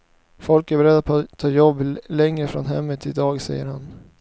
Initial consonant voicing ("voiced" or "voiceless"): voiceless